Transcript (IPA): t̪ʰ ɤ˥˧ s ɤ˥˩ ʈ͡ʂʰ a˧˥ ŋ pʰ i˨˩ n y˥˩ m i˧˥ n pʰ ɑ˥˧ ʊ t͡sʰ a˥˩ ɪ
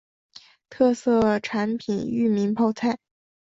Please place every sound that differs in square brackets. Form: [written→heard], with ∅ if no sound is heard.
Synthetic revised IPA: t̪ʰ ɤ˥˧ s ɤ˥˩ ʈ͡ʂʰ a˧˥ [ŋ→n] pʰ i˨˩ n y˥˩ m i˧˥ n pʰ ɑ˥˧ ʊ t͡sʰ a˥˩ ɪ